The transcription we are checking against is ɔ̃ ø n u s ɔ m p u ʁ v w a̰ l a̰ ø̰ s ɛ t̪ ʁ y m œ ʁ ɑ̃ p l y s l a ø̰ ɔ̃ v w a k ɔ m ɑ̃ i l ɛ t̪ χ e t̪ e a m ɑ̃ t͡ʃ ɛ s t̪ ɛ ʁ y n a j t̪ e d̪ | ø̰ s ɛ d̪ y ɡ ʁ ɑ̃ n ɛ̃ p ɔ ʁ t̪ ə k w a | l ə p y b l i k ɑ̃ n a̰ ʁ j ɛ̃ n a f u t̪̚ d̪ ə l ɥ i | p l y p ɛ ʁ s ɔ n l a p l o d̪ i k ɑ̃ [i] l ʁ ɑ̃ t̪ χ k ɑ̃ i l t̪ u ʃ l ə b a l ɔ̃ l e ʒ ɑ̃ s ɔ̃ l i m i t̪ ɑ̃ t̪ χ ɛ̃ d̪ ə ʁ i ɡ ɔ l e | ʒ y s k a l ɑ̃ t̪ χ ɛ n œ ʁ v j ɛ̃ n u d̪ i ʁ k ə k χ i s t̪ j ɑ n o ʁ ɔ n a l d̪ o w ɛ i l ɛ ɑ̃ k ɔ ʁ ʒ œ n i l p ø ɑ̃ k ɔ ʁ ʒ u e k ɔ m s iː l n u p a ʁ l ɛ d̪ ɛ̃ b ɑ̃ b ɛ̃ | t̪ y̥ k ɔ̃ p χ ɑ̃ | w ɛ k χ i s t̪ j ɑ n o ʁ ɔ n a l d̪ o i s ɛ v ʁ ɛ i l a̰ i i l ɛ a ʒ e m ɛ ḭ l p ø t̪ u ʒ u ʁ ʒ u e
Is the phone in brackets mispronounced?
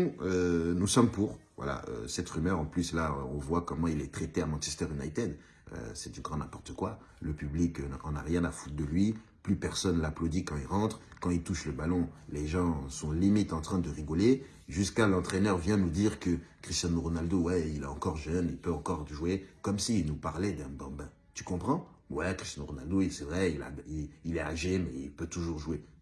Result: no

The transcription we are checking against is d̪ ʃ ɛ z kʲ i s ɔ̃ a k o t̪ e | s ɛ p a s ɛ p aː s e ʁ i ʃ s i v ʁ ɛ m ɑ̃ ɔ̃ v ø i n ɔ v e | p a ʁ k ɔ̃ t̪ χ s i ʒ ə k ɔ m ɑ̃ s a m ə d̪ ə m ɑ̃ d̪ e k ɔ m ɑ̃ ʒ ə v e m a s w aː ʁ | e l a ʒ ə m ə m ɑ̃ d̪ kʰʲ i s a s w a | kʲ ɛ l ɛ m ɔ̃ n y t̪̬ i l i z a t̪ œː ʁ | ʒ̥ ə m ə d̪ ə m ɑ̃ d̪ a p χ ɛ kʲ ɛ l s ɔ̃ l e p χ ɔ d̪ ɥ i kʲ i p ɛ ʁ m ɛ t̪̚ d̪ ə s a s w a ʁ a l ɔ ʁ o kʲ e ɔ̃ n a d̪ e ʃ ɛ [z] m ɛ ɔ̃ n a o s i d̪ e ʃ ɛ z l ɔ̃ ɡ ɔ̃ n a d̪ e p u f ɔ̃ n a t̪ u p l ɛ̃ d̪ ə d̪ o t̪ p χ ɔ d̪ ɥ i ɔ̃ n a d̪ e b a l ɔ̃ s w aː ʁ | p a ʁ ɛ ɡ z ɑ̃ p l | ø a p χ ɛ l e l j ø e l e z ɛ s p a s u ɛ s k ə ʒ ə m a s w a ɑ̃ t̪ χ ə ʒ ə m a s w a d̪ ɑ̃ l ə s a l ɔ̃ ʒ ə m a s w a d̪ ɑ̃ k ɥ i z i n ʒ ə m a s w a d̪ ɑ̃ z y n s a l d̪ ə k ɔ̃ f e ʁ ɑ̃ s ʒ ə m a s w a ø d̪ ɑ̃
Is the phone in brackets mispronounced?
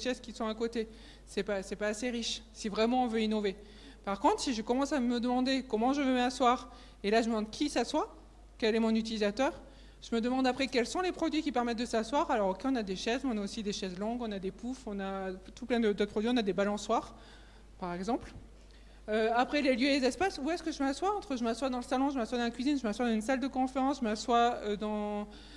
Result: no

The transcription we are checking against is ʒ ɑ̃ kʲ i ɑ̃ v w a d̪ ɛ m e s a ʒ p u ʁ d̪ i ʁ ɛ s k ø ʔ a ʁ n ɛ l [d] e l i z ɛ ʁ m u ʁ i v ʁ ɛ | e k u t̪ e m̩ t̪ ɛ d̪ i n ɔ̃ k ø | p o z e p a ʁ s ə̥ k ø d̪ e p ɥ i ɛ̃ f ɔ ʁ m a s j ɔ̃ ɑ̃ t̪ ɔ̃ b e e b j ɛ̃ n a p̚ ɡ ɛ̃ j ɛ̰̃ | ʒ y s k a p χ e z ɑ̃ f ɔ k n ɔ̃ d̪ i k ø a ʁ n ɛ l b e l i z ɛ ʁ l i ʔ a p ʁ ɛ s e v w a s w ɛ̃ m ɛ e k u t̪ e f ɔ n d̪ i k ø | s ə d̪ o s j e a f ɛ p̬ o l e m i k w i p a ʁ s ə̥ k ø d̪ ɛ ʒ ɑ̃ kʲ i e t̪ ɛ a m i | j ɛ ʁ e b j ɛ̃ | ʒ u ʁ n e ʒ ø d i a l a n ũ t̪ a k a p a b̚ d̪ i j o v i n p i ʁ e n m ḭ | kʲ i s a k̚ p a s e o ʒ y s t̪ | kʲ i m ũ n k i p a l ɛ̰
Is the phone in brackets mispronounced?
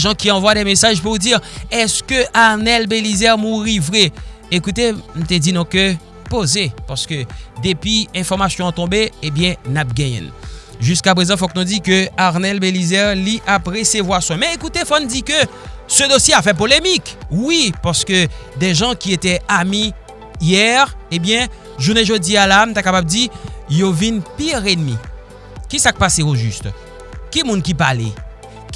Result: yes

